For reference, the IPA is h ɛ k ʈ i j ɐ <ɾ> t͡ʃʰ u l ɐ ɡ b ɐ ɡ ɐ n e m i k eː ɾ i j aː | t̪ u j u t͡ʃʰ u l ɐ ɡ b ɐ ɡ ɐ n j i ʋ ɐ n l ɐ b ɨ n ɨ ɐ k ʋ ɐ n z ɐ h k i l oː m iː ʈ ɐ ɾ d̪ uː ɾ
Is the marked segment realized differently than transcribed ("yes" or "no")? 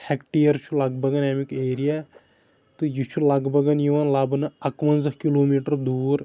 no